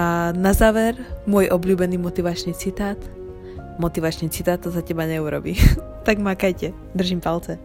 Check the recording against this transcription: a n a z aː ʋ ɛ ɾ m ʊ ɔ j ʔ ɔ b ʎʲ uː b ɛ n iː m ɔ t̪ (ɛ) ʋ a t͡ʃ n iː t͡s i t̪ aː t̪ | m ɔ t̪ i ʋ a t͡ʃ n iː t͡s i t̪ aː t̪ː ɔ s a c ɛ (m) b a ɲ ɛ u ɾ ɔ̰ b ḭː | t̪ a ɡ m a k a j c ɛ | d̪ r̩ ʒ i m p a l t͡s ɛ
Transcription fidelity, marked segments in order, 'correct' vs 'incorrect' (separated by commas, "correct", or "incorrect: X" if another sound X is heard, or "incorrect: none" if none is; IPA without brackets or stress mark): incorrect: i, incorrect: none